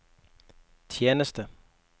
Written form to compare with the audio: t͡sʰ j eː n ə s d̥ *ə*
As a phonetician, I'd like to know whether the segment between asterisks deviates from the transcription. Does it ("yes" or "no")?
no